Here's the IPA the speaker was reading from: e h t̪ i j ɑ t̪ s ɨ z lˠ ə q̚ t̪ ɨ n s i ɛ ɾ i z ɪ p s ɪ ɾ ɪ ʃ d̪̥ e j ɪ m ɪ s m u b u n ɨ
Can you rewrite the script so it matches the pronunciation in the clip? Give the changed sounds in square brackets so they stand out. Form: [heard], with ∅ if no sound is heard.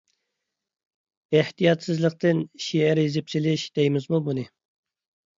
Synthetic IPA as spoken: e h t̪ i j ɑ t̪ s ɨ z lˠ ə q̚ t̪ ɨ n [ʃ] i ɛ ɾ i z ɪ p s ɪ [l] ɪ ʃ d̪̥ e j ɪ m ɪ [z] m u b u n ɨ